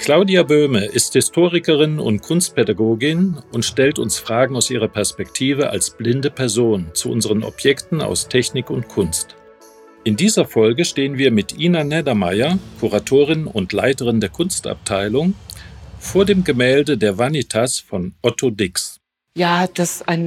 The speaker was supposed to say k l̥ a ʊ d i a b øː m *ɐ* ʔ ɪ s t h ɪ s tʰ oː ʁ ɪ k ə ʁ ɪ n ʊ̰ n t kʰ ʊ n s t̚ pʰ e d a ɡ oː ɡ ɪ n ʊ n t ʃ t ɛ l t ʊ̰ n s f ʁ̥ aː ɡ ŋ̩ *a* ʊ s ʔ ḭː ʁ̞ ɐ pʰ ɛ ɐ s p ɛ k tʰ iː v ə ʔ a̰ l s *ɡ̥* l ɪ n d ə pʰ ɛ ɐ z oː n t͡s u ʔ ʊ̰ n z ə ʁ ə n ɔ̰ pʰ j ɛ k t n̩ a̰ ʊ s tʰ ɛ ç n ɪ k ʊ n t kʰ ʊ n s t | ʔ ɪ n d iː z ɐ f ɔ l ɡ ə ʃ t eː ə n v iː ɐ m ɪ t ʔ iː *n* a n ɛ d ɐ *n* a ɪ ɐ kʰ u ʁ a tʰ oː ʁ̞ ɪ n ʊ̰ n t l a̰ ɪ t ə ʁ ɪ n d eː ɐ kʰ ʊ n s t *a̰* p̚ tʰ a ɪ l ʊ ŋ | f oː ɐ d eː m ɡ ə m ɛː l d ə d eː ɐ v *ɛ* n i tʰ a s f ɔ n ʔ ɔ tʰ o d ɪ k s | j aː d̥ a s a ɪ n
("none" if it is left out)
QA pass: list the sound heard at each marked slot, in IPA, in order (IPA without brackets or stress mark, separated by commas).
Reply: ə, a, b̥, n, m, a̰, a